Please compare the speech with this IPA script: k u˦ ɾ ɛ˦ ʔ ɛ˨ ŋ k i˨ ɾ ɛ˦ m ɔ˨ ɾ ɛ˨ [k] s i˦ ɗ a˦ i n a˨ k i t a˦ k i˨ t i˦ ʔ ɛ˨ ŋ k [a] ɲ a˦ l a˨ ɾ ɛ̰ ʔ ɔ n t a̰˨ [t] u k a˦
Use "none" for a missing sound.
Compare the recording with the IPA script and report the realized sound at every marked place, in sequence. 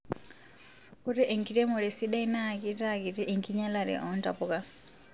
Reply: none, i, p

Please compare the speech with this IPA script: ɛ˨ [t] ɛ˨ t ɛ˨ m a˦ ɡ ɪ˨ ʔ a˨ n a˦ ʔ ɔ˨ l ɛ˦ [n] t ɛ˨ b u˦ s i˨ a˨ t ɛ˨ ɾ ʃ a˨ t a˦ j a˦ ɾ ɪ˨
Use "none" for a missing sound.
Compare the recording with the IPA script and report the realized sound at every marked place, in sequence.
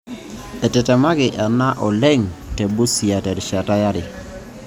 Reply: t, ŋ

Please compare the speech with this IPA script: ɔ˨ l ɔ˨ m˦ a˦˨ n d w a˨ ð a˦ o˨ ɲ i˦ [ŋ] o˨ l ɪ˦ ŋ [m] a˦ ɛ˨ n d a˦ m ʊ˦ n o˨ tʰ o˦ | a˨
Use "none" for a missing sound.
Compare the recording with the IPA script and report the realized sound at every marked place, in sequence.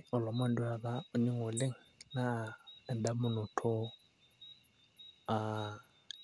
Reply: ŋ, n

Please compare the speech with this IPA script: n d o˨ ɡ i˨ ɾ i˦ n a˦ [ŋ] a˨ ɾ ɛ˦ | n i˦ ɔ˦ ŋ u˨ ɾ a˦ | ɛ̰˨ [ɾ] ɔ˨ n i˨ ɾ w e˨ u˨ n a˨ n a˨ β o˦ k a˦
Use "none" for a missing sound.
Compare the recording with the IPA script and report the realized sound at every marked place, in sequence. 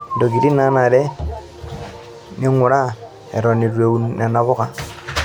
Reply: n, ɾ

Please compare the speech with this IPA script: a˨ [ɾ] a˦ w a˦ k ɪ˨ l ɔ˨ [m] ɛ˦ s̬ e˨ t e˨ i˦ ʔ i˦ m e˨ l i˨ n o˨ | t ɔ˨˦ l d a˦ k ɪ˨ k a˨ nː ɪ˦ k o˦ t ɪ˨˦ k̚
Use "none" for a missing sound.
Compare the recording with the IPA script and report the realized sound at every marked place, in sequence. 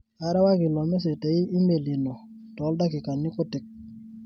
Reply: ɾ, m

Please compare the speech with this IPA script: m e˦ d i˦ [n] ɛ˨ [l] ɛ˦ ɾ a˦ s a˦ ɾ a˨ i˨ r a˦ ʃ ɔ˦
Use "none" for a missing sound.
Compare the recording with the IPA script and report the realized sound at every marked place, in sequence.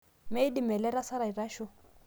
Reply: m, l

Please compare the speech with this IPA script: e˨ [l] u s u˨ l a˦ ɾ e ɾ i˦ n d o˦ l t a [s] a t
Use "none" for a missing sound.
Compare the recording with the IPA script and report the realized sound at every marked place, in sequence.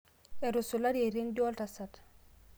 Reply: ɾ, s

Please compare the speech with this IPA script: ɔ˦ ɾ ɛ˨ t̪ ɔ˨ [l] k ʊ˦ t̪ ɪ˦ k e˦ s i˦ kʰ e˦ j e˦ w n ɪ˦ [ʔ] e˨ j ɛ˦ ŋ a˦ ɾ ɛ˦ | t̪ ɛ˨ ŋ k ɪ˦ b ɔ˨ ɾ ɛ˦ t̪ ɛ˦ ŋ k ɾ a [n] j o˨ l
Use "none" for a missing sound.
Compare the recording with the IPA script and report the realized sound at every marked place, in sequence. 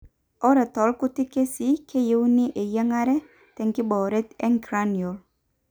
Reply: l, ʔ, n

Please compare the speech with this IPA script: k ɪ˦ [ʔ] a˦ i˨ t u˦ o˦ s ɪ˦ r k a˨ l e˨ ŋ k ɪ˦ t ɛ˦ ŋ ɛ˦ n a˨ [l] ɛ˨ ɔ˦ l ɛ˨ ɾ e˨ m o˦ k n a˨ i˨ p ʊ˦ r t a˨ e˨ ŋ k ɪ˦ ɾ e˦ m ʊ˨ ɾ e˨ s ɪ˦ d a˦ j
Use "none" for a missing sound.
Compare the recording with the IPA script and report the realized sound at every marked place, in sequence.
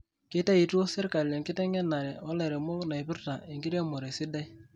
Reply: t, ɾ

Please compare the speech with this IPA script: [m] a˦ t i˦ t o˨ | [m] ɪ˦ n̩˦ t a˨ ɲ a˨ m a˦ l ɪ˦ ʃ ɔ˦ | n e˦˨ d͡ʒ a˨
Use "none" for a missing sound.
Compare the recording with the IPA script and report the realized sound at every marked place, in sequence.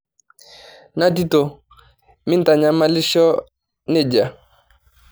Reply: n, m

